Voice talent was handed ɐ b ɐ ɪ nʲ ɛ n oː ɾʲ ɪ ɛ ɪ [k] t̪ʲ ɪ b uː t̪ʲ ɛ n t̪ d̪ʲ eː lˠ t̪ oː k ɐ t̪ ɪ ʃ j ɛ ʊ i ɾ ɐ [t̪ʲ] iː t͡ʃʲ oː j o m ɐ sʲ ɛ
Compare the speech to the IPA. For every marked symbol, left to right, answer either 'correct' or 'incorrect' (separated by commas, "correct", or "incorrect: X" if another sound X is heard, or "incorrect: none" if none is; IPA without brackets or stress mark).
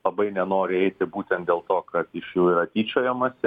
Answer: incorrect: none, correct